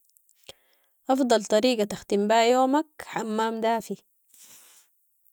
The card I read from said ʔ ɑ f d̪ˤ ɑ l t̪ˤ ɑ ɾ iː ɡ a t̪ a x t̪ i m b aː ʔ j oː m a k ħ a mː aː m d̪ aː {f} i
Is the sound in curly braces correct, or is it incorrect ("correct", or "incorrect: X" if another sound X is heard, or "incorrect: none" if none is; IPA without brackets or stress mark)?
correct